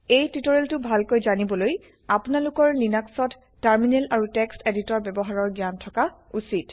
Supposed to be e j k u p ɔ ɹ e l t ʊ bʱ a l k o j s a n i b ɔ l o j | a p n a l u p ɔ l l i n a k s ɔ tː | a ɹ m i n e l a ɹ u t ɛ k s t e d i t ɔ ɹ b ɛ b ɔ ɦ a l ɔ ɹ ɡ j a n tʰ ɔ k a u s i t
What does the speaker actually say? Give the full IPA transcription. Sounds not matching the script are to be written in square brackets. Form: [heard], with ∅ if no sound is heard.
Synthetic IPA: e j [t] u [t] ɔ ɹ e l t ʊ bʱ a l k o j [z] a n i b ɔ l o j | a p n a l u [k] ɔ [ɹ] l i n a k s ɔ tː | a ɹ m i n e l a ɹ u t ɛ k s t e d i t ɔ ɹ b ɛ b ɔ ɦ a [ɹ] ɔ ɹ ɡ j a n tʰ ɔ k a u s i t